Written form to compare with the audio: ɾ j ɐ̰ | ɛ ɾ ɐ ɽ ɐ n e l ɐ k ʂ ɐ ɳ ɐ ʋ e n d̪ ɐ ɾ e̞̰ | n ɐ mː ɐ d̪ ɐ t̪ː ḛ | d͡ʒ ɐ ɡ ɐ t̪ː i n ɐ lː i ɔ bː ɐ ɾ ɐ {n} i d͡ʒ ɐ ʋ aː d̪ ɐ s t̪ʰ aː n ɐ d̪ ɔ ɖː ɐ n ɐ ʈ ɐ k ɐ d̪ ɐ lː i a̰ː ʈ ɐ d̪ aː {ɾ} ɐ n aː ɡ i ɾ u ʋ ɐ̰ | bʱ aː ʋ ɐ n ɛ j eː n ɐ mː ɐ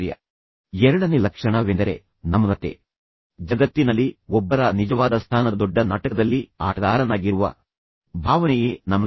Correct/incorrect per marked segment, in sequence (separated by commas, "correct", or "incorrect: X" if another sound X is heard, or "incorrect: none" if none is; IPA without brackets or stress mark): correct, correct